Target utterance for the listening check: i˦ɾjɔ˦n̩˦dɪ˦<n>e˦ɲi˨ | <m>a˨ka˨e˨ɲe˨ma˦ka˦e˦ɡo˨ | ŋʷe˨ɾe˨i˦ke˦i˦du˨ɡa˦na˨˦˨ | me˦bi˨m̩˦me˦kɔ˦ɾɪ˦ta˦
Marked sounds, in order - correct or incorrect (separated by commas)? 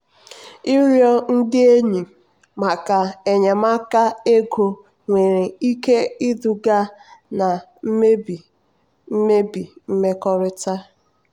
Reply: incorrect, correct